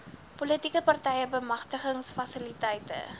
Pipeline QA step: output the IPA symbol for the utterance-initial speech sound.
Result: p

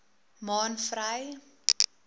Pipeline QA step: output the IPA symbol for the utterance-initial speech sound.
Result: m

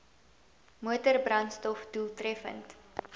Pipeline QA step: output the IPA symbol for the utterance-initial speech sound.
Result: m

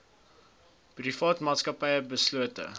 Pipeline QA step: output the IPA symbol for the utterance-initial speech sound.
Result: p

